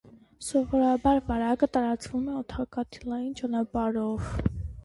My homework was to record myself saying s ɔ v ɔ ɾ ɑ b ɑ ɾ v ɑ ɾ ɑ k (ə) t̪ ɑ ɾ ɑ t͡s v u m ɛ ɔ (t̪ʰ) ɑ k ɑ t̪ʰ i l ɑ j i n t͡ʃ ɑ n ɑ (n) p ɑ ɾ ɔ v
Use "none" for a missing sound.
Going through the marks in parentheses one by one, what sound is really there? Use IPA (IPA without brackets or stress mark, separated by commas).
ə, t̪ʰ, none